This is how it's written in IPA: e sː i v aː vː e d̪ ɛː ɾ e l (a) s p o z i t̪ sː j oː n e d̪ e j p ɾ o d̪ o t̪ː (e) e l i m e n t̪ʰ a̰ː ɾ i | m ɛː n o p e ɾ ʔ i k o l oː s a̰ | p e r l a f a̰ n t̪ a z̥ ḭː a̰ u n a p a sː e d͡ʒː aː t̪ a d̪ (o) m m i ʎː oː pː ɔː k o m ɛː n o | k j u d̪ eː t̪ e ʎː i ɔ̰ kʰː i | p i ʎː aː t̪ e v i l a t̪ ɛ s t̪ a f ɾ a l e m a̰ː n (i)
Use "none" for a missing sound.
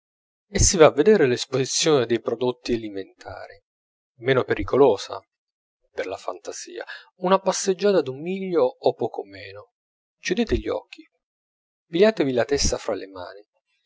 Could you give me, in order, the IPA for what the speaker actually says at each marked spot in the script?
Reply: e, i, u, i

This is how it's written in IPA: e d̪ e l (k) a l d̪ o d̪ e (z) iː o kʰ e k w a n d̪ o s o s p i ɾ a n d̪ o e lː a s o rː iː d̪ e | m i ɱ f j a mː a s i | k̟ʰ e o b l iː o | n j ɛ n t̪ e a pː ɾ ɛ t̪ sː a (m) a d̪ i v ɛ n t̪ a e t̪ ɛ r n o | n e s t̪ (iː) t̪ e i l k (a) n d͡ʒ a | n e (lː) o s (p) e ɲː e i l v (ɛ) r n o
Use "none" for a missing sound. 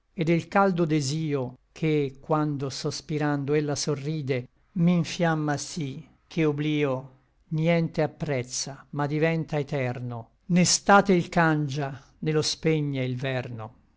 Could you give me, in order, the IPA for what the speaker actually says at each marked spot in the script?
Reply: k, z, m, aː, a, l, p, ɛ

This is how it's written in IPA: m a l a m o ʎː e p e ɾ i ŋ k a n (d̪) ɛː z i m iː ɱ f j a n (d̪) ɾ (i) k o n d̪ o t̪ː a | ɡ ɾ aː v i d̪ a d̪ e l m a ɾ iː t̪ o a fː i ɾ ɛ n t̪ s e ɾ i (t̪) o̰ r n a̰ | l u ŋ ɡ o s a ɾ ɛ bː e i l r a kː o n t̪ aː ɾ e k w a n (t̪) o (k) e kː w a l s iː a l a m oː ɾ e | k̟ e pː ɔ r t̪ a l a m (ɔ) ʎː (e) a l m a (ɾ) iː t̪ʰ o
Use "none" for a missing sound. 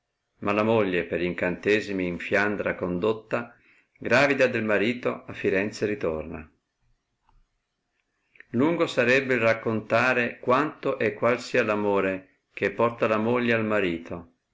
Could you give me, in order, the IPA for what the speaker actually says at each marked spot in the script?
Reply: t̪, d̪, a, t̪, t̪, ʔ, o, e, ɾ

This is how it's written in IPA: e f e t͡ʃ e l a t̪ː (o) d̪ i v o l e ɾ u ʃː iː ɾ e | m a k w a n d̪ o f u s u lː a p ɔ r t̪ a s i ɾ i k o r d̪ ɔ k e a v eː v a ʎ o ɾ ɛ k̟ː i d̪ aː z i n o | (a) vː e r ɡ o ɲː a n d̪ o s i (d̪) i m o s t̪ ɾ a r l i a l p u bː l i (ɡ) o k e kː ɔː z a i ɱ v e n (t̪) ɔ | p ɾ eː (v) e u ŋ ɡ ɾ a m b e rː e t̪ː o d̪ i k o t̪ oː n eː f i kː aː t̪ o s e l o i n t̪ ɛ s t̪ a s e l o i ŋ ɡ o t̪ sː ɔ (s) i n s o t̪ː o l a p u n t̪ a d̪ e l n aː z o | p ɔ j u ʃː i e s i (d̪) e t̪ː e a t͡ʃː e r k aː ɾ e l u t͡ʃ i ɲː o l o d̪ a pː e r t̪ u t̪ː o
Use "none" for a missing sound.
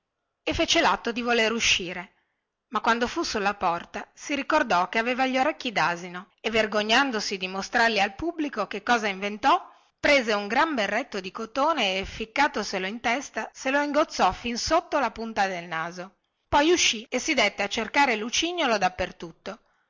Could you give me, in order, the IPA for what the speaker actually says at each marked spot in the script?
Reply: o, e, d̪, k, t̪, z, f, d̪

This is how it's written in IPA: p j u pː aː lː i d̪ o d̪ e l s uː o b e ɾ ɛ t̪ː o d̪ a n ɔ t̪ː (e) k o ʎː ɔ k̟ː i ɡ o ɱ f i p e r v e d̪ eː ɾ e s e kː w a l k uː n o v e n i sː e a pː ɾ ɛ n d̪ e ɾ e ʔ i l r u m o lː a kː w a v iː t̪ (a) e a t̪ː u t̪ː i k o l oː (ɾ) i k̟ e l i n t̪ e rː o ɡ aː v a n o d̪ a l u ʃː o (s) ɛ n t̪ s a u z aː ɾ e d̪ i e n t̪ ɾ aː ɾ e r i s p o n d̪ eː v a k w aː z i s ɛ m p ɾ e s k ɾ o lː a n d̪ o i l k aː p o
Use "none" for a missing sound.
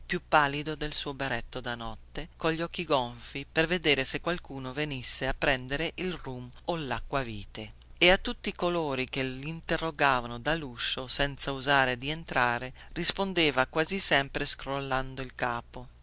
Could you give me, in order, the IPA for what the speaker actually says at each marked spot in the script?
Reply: e, e, ɾ, s

